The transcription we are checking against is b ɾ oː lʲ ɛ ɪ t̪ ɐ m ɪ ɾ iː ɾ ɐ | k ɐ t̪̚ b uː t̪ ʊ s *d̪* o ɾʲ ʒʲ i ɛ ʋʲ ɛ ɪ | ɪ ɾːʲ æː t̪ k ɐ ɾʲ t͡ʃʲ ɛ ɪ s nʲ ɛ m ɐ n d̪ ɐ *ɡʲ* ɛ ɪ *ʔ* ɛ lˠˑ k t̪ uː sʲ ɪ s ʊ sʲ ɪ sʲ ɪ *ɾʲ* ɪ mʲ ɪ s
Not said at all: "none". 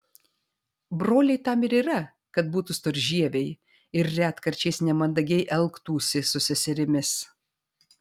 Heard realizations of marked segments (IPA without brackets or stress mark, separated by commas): t̪, ɡʲ, ʔ, ɾʲ